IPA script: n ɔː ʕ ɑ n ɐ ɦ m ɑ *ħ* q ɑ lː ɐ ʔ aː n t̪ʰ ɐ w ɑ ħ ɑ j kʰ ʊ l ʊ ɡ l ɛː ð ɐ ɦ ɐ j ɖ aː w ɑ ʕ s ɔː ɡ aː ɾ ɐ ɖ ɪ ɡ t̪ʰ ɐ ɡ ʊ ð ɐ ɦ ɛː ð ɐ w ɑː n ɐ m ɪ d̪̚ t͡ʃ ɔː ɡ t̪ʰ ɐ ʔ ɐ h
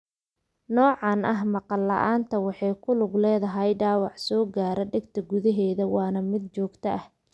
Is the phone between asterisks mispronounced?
yes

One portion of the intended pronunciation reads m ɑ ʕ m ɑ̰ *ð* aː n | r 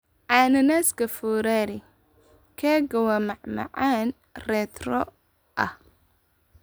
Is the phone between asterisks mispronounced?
yes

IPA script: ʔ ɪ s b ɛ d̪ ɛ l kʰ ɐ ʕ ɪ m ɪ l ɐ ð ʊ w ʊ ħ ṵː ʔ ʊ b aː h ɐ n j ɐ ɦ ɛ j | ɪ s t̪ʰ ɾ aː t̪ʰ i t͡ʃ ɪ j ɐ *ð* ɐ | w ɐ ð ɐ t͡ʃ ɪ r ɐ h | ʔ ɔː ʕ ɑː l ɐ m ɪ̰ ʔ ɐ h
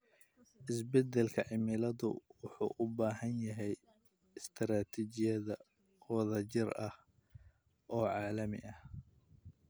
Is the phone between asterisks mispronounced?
no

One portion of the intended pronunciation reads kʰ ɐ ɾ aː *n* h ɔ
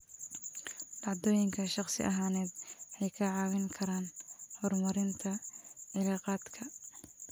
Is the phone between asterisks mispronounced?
no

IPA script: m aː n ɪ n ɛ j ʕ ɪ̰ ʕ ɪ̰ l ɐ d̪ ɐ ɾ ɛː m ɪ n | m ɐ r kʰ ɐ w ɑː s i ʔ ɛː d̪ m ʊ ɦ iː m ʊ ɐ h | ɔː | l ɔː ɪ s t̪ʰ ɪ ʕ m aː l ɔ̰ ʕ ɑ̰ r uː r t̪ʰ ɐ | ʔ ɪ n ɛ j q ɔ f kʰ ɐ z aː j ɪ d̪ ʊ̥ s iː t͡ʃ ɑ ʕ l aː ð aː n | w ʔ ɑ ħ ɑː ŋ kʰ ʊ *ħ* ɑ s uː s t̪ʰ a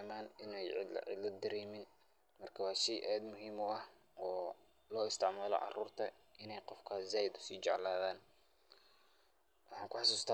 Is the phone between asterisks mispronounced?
no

